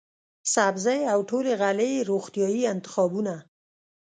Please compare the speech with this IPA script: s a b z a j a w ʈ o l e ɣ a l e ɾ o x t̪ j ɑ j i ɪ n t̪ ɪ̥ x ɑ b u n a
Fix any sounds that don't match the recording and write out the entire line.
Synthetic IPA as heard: s a b z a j a w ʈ o l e ɣ a l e ɾ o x t̪ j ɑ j i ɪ n t̪ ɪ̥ x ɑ b u n a